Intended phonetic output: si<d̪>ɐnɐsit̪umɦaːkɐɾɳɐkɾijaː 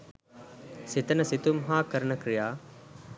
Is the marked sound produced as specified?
no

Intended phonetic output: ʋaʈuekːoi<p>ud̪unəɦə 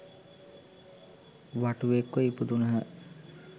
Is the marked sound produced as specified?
yes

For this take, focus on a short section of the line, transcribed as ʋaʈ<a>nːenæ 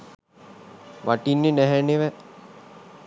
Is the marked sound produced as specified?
no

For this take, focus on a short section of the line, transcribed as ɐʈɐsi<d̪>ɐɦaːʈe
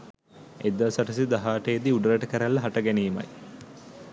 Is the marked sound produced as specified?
yes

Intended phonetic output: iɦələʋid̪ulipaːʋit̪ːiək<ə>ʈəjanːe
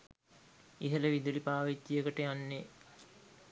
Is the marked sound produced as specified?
yes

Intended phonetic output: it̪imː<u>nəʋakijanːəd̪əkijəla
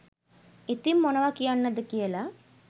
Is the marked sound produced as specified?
no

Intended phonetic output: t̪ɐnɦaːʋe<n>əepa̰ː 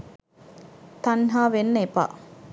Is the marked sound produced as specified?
no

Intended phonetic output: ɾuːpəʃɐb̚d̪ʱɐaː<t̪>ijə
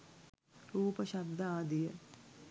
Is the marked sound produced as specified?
no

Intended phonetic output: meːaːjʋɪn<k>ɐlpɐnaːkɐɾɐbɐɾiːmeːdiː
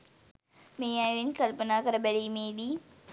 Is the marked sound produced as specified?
yes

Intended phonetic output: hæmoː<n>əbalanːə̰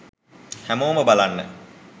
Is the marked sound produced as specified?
no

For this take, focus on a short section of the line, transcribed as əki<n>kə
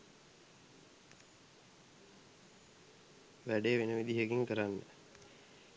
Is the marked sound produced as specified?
no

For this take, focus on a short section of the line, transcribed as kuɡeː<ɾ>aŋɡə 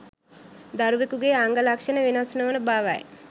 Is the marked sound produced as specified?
no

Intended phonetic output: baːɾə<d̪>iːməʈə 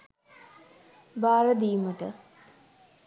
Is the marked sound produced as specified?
yes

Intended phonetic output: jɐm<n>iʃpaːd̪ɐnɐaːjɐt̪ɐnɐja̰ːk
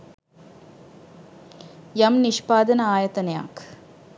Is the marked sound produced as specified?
yes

